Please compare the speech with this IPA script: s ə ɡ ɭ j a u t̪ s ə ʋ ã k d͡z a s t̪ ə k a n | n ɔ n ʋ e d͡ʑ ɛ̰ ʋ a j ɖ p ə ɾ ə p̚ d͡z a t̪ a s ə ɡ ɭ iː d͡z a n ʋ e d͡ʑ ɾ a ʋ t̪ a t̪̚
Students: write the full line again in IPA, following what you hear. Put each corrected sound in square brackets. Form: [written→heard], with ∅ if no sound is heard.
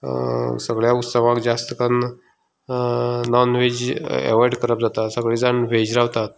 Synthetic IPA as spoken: s ə ɡ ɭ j a u t̪ s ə ʋ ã k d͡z a s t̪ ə k a n | n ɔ n ʋ e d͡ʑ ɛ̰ ʋ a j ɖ [p→k] ə ɾ ə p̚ d͡z a t̪ a s ə ɡ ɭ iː d͡z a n ʋ e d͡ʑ ɾ a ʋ t̪ a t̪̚